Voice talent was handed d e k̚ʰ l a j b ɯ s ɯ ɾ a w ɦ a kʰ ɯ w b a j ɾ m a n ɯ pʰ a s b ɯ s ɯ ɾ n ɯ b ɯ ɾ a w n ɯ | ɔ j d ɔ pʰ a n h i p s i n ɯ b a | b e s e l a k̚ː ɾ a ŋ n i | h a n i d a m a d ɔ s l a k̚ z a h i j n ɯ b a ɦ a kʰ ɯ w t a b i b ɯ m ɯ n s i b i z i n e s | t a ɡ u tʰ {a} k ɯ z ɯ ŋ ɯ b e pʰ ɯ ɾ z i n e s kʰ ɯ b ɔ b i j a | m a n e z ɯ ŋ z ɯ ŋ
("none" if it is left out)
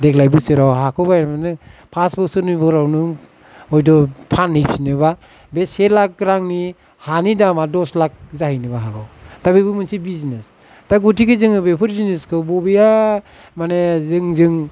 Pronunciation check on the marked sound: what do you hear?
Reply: i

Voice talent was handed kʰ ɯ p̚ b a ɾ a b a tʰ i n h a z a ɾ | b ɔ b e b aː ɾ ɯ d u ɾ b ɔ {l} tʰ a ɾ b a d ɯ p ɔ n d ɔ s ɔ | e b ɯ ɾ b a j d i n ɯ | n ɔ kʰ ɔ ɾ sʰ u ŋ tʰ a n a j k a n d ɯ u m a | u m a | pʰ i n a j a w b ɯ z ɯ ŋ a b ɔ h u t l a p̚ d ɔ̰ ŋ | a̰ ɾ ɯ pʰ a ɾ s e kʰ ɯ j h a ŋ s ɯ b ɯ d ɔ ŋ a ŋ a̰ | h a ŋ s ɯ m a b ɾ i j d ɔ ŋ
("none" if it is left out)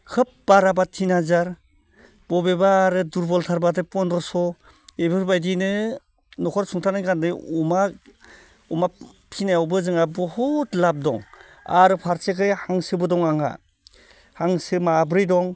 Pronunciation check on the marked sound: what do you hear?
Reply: l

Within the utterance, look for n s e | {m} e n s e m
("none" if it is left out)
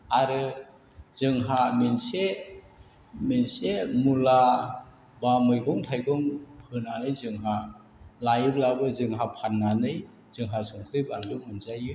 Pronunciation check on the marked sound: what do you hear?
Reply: m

